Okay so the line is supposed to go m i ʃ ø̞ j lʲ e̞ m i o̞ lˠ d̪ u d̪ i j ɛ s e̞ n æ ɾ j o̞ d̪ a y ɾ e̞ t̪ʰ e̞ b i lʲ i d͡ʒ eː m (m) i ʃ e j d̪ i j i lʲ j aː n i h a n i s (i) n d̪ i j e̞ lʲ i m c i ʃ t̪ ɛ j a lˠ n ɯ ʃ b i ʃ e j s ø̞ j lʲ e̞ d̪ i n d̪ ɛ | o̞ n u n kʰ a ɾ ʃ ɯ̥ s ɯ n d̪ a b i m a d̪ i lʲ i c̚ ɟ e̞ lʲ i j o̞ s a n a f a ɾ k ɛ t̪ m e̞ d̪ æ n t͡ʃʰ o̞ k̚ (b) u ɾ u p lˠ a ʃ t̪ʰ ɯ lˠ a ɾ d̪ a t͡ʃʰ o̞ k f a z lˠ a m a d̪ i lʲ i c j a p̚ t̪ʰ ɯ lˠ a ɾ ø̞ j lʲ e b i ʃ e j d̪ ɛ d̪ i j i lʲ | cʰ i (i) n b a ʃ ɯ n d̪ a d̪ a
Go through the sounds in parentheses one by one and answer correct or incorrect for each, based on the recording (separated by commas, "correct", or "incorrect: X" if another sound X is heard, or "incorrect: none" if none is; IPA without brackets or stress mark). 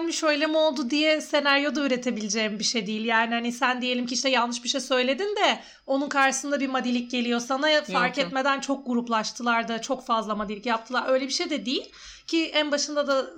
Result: incorrect: b, incorrect: æ, incorrect: ɡ, incorrect: æ